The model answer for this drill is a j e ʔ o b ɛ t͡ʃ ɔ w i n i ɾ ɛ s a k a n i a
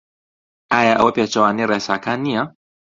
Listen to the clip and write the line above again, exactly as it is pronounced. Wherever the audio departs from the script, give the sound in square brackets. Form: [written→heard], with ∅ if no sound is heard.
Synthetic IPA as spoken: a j [e→a] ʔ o [b→p] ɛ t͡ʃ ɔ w [i→a] n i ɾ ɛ s a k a n i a